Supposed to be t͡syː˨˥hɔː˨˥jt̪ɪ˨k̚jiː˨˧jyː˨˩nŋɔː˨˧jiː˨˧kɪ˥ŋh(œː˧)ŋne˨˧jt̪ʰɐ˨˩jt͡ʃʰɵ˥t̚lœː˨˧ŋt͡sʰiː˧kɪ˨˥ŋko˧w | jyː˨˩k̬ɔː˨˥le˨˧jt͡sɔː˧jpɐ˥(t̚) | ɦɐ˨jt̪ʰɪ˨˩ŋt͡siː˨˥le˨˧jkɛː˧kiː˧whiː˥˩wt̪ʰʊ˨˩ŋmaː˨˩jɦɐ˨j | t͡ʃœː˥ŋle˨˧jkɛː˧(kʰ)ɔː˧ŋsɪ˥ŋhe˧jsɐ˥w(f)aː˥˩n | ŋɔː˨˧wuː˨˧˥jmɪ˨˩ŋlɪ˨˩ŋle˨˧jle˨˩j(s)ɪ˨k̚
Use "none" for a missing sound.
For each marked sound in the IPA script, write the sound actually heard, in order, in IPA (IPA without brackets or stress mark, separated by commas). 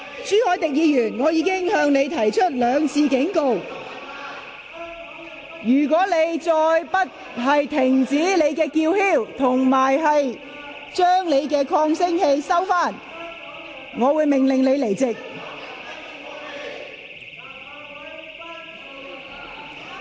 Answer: œː˧, t̚, kʰ, f, t͡s